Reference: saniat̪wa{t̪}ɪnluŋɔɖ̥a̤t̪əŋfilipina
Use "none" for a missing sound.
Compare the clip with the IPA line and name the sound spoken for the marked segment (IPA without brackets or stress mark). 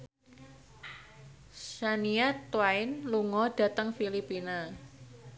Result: none